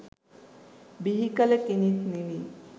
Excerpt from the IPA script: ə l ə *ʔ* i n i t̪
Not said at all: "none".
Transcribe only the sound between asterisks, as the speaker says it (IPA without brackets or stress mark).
k